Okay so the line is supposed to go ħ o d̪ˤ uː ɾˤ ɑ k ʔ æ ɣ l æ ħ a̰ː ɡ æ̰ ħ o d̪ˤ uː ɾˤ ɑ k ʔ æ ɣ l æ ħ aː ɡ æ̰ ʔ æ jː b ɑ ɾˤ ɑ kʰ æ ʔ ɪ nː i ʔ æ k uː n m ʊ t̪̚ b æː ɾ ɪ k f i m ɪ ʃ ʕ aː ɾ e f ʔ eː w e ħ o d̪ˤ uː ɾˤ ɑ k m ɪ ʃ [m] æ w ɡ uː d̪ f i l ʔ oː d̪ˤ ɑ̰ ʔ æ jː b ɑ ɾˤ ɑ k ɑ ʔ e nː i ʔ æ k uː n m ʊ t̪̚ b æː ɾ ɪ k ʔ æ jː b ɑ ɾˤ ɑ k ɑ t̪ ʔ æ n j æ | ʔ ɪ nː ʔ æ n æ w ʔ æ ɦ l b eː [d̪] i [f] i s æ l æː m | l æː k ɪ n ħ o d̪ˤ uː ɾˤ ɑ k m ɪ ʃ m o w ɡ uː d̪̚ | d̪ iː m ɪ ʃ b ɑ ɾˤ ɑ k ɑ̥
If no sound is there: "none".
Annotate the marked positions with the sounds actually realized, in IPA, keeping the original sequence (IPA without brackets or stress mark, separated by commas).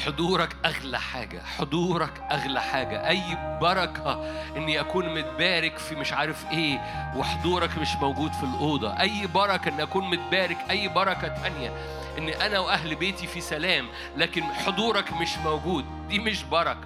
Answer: m, t̪, f